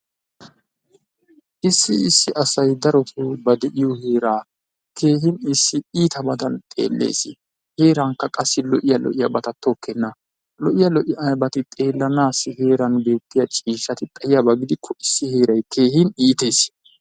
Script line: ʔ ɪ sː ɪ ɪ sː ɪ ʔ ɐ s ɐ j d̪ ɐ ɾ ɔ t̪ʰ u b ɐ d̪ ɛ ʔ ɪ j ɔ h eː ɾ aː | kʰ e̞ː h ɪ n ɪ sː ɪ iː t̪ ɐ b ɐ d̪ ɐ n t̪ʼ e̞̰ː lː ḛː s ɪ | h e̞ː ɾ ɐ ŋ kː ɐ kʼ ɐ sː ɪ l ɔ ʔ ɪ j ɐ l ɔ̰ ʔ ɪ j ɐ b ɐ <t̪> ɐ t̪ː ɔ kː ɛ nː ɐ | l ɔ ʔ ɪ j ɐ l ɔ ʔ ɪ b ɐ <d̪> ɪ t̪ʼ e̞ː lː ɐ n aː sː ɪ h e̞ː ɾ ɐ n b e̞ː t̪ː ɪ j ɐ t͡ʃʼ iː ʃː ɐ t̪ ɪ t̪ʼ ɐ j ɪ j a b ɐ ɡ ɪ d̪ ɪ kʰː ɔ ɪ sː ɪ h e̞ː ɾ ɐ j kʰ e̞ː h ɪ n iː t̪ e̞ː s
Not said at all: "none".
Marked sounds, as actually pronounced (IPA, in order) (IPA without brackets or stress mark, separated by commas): t̪, t̪